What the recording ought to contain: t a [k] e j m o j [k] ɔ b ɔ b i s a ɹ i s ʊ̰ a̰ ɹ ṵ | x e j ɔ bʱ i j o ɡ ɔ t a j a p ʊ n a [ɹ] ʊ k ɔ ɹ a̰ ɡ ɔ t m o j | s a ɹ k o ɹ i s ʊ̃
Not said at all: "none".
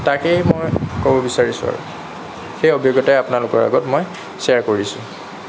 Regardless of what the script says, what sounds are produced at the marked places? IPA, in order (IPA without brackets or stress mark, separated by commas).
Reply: k, k, l